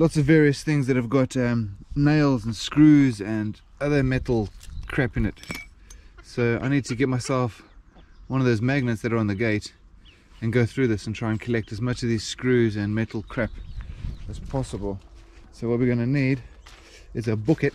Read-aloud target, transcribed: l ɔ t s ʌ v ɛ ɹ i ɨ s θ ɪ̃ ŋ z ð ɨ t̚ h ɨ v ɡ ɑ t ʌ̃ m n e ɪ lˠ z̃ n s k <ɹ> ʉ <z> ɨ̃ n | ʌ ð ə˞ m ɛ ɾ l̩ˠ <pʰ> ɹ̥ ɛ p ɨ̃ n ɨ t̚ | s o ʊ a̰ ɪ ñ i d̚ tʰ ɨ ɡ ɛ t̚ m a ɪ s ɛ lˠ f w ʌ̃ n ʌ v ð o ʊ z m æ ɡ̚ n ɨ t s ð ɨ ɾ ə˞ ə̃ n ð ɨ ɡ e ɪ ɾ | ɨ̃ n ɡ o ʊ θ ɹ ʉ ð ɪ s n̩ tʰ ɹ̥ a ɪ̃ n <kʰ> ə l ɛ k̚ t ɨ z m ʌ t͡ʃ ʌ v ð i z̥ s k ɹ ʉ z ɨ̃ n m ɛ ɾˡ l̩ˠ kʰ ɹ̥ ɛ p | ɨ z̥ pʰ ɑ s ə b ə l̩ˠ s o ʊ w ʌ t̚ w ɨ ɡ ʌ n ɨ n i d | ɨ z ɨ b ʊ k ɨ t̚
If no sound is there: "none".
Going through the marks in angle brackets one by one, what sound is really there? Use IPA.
ɹ, z, kʰ, kʰ

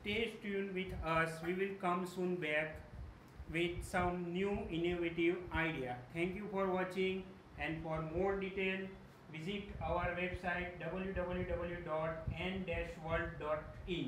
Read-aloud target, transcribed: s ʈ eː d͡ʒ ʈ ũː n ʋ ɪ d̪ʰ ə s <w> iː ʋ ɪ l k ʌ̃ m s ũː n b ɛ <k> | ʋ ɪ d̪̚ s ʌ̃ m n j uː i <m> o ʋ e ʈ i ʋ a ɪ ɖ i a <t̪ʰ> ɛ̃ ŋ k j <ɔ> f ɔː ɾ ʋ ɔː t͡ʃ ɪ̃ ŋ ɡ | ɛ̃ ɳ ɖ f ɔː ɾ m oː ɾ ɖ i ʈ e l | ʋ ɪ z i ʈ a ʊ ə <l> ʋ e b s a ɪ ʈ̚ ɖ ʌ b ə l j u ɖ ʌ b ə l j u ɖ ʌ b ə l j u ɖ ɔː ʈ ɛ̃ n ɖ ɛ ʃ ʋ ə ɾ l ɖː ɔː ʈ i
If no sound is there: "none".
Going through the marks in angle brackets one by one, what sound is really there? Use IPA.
ʋ, k, n, t̪ʰ, u, ɾ

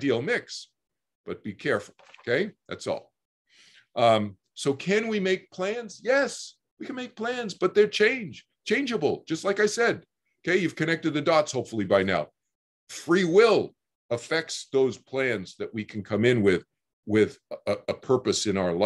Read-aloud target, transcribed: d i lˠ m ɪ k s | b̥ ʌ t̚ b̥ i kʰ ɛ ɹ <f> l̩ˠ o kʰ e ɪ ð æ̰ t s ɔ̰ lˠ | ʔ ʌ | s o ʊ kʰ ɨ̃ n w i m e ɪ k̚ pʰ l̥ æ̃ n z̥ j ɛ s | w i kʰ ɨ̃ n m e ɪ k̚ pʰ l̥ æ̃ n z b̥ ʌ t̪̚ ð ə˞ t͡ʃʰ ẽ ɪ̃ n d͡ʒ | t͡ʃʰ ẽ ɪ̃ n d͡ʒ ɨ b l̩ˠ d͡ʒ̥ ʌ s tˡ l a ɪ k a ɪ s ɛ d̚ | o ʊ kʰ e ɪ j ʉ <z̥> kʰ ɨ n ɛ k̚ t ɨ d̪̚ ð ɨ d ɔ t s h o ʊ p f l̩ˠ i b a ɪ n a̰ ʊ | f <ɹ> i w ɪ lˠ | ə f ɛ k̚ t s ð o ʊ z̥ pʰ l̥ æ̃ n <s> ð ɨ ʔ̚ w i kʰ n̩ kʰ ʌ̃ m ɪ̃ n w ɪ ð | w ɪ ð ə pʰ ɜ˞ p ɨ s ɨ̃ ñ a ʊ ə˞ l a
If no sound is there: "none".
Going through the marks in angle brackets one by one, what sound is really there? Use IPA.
f, v̥, ɹ, z

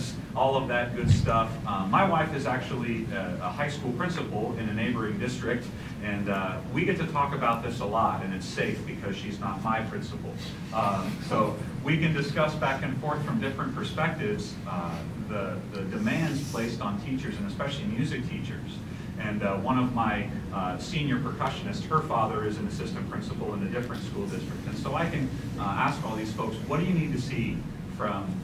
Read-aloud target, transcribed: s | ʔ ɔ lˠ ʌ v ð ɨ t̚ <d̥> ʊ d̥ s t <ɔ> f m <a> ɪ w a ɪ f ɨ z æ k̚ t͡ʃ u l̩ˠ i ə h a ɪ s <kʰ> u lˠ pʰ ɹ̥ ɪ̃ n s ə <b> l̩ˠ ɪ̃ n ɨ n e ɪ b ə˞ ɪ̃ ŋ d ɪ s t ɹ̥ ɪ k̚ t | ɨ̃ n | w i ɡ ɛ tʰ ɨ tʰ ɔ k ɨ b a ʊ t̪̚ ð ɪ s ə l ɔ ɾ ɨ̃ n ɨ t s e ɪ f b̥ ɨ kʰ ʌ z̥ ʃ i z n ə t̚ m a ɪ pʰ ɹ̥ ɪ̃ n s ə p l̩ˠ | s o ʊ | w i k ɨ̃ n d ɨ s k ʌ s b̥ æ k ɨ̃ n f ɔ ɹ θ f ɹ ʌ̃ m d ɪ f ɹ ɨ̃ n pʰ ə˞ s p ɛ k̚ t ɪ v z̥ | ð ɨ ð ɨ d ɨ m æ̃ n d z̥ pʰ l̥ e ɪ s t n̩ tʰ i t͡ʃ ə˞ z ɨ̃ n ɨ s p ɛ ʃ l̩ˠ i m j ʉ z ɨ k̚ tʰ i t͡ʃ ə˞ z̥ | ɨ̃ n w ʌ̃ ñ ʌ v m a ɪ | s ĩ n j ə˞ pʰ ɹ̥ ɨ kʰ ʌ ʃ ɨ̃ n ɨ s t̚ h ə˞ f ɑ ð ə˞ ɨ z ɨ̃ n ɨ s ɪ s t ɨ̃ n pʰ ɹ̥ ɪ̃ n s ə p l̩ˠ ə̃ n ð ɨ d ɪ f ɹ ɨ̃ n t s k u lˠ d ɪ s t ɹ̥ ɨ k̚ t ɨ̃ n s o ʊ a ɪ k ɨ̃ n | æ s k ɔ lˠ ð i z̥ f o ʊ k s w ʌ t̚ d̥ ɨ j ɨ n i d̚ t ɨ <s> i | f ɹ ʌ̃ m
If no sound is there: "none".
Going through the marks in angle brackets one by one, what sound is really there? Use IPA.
ɡ̥, ʌ, a, k, p, s

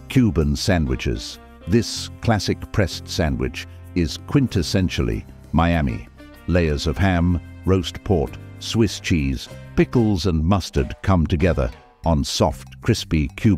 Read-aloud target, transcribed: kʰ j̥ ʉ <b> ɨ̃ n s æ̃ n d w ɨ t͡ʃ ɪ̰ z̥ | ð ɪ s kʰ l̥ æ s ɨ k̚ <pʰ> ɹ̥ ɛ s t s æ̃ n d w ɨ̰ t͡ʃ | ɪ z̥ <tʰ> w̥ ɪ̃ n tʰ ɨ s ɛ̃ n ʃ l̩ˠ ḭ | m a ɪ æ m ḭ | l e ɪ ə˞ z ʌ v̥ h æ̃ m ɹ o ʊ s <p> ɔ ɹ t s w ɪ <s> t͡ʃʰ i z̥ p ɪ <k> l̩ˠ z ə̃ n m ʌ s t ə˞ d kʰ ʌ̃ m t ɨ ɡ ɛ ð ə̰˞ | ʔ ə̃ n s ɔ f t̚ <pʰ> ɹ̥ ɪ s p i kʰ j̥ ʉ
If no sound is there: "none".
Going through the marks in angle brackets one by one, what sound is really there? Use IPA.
b, pʰ, kʰ, pʰ, s, k, kʰ

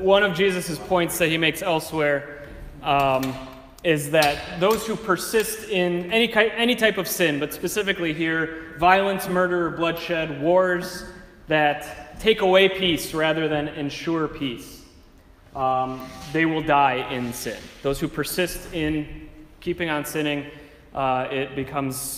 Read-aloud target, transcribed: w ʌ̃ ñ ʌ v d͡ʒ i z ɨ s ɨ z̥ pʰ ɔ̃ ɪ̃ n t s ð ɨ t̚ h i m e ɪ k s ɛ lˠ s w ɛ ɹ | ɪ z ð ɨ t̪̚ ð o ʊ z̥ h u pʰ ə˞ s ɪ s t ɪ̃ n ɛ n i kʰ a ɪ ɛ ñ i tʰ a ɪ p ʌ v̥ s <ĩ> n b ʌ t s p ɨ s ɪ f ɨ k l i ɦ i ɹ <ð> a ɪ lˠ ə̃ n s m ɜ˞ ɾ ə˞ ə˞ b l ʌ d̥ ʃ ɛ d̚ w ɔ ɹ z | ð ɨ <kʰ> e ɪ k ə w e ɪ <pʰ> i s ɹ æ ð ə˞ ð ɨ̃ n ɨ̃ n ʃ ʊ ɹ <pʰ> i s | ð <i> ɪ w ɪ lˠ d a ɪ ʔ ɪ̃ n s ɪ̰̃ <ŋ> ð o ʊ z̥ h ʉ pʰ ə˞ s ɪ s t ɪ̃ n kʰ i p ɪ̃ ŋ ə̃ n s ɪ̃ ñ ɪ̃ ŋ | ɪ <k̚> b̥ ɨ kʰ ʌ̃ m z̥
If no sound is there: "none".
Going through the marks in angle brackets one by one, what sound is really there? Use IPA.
ɪ̃, v, tʰ, pʰ, pʰ, e, n, t̚

